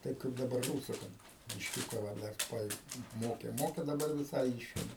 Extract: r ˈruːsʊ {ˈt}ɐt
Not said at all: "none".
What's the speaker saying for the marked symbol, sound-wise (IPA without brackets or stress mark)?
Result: k